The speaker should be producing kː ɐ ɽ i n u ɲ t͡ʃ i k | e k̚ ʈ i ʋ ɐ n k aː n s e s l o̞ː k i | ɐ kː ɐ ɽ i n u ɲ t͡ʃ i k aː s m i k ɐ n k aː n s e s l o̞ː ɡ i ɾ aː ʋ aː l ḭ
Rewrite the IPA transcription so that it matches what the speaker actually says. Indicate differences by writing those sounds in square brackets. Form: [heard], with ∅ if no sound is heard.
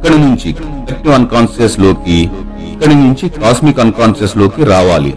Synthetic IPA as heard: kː ɐ ɽ i n u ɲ t͡ʃ i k | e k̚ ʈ i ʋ ɐ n k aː n s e s l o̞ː k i | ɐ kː ɐ ɽ i n u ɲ t͡ʃ i k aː s m i k ɐ n k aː n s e s l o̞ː [k] i ɾ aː ʋ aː l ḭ